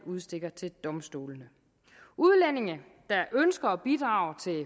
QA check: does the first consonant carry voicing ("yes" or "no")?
yes